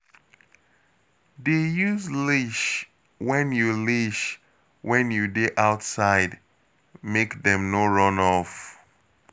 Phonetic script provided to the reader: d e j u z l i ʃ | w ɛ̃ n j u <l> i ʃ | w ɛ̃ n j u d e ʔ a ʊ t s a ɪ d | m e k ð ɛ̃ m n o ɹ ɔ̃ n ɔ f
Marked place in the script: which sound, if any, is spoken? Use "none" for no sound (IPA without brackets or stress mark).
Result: l